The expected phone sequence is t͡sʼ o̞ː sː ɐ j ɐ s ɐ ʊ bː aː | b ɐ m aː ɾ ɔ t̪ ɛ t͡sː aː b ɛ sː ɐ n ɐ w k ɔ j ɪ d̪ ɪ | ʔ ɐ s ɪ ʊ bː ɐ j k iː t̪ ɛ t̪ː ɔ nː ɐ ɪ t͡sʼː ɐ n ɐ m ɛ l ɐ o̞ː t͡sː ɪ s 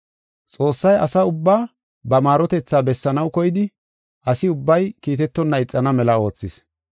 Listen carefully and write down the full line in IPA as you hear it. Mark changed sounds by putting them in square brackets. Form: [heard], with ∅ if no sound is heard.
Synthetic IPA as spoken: t͡sʼ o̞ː sː ɐ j ɐ s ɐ ʊ bː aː | b ɐ m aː ɾ ɔ t̪ ɛ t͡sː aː b ɛ sː ɐ n ɐ w k ɔ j ɪ d̪ ɪ | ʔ ɐ s ɪ ʊ bː ɐ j k iː t̪ ɛ t̪ː ɔ nː ɐ ɪ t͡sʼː ɐ n ɐ m ɛ l ɐ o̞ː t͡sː ɪ s